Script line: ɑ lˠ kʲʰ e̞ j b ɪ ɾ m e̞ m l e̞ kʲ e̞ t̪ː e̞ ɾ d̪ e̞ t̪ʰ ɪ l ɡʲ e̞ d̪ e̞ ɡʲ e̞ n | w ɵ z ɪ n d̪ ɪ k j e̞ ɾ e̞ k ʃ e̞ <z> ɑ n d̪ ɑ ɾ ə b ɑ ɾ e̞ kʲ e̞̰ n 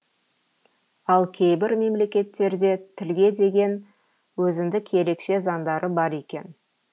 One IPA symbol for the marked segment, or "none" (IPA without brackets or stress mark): z